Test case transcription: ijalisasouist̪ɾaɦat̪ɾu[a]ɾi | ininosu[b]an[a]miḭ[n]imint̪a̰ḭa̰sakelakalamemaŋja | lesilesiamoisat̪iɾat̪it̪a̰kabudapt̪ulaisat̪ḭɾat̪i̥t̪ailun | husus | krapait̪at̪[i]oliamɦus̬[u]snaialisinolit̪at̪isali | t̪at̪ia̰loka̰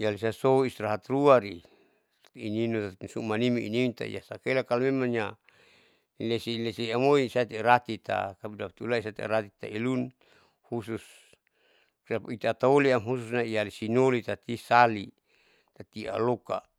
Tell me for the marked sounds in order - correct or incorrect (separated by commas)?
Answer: correct, incorrect, incorrect, correct, incorrect, correct